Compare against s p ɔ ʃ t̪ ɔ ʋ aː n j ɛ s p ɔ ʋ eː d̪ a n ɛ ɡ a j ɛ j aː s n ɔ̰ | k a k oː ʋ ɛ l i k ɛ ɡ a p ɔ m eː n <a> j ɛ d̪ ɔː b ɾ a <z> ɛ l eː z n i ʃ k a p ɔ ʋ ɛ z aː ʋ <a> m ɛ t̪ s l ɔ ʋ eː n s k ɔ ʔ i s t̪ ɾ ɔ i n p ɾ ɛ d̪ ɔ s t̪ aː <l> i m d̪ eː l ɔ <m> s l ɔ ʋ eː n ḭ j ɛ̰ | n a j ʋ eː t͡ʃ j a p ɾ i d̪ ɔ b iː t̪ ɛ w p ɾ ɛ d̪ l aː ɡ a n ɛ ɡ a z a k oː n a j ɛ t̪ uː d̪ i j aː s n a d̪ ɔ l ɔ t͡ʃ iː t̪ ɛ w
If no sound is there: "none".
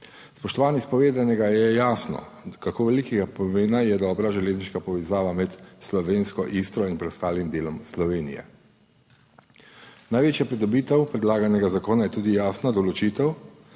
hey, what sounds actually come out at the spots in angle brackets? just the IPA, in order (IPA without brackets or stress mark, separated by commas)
a, ʒ, a, l, m